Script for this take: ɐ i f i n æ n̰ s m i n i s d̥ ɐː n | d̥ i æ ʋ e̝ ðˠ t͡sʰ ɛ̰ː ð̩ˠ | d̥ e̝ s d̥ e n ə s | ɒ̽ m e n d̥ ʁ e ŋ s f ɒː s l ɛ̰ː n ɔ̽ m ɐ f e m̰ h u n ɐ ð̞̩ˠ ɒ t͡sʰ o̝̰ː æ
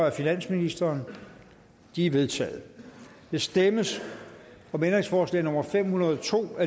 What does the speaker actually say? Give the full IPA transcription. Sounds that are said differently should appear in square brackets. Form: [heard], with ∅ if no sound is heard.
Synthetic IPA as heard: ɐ [æ] f i n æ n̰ s m i n i s d̥ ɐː n | d̥ i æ ʋ e̝ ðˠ t͡sʰ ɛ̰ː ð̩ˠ | d̥ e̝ s d̥ e [m] ə s | ɒ̽ m e n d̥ ʁ e ŋ s f ɒː s l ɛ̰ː n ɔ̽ m ɐ f e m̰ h u n ɐ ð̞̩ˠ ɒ t͡sʰ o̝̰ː æ